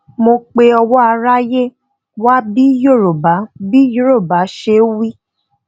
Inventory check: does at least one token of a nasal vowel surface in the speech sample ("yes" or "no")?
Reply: no